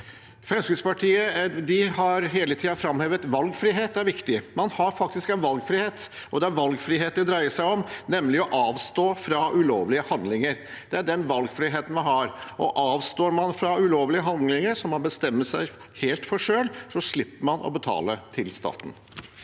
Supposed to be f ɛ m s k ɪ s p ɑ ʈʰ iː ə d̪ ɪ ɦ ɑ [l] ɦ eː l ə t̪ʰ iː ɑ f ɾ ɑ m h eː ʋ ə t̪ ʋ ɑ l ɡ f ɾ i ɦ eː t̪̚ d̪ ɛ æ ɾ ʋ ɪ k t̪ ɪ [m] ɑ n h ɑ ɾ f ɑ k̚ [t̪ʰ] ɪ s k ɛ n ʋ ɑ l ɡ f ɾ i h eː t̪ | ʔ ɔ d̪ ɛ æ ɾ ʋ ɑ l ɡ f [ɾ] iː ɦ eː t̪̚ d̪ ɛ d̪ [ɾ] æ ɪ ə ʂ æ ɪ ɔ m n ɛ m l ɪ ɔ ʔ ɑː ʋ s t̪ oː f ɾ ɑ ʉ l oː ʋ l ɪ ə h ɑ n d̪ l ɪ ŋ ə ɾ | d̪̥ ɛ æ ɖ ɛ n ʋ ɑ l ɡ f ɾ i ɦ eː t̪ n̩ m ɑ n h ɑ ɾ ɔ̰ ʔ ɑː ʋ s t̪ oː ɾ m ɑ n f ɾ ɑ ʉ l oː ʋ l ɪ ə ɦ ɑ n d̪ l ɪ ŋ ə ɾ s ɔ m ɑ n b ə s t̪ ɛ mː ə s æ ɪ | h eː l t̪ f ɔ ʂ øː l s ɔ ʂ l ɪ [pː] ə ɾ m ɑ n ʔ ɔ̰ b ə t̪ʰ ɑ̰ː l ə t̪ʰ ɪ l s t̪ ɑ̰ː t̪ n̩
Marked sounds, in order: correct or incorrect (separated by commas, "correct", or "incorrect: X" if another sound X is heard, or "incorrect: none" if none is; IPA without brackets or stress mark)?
incorrect: ɾ, correct, incorrect: t̪, correct, correct, correct